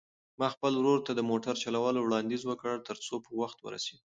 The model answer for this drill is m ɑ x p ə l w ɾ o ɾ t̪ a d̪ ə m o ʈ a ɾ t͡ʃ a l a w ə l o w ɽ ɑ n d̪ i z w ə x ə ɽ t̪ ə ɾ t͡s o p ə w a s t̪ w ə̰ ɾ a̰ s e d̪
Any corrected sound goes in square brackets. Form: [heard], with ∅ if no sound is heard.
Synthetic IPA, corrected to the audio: m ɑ x p ə l w ɾ o ɾ t̪ a d̪ ə m o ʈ a ɾ t͡ʃ a l a w [ɑ] l o w ɽ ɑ n d̪ i z w ə [k] ə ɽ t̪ ə ɾ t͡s o p ə w a [x] t̪ w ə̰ ɾ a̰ s e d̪